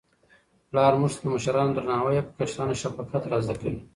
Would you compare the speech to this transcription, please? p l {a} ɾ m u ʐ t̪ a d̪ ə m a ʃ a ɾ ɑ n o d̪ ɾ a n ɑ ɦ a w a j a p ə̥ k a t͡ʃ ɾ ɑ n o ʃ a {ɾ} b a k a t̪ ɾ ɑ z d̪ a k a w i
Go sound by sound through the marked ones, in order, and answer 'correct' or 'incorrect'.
incorrect, incorrect

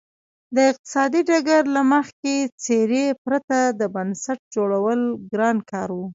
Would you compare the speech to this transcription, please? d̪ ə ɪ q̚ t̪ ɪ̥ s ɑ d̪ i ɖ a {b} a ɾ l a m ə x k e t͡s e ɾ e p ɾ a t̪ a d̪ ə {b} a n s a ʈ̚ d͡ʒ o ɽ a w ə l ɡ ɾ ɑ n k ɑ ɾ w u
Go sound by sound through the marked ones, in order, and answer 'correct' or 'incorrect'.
incorrect, correct

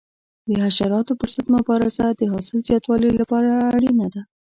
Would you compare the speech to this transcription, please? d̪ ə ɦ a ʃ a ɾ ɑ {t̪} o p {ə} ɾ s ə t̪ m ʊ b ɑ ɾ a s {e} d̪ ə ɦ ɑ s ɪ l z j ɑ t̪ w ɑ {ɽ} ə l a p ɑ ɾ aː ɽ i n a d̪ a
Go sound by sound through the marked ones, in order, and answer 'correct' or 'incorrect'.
correct, correct, incorrect, incorrect

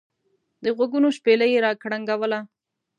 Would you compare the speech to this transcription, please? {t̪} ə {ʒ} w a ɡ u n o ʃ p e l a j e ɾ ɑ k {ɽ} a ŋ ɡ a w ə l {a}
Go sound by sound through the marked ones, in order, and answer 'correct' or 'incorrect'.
incorrect, incorrect, correct, correct

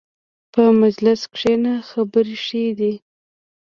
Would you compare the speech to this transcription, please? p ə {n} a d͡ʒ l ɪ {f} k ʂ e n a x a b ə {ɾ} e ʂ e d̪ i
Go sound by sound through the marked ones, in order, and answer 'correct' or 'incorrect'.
incorrect, incorrect, correct

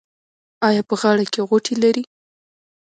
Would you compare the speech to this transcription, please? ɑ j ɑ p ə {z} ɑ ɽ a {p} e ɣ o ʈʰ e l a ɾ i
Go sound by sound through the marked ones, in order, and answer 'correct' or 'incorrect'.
incorrect, incorrect

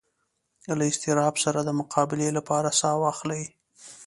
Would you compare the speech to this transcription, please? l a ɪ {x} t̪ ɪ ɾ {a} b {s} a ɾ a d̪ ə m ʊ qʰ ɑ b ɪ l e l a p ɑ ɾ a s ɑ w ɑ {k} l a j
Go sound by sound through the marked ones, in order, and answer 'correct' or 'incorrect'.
incorrect, incorrect, correct, incorrect

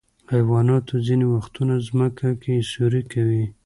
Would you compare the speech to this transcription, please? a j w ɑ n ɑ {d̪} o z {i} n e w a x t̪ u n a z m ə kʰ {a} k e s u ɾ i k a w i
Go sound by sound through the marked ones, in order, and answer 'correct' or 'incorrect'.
incorrect, correct, correct

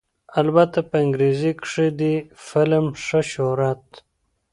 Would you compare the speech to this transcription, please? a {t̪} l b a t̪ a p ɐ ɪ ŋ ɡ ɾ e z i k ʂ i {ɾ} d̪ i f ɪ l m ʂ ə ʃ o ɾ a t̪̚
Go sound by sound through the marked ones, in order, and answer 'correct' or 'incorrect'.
incorrect, incorrect

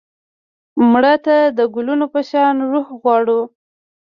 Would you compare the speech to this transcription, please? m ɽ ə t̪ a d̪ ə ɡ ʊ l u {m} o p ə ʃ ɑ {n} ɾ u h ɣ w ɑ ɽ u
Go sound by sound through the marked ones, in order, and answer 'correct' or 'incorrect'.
incorrect, correct

